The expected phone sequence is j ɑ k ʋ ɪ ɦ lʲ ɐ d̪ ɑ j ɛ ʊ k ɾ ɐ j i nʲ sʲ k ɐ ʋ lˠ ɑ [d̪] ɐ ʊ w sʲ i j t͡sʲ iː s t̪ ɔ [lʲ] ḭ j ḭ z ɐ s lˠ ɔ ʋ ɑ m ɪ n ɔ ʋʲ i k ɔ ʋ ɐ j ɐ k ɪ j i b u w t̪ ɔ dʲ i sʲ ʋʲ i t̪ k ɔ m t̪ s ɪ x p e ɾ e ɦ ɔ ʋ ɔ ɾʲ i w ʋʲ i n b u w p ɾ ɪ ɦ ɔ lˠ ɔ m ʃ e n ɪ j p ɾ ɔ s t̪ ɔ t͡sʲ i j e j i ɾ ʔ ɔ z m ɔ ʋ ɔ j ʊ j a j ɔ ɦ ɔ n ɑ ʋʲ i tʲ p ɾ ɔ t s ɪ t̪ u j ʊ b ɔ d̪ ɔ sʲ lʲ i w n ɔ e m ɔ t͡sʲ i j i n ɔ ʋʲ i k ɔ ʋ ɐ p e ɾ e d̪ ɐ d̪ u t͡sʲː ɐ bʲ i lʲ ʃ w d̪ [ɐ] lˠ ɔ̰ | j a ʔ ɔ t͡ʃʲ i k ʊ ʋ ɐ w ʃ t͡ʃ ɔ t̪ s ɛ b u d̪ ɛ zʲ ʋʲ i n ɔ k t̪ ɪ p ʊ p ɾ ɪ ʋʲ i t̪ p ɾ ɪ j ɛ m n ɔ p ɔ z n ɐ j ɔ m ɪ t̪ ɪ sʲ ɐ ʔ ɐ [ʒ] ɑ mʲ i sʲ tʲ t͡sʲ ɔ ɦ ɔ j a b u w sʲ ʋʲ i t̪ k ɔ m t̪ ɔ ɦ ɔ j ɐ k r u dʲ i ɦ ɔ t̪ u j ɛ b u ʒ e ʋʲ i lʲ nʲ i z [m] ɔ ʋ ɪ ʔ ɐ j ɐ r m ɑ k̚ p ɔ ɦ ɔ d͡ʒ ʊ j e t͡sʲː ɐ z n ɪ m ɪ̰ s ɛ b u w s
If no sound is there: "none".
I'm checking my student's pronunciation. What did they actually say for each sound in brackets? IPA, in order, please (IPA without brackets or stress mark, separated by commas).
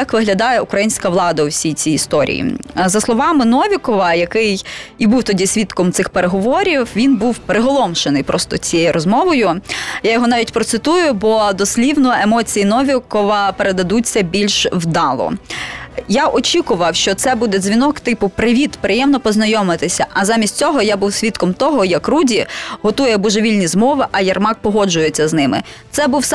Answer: d̪, ɾʲ, ɑ, z, m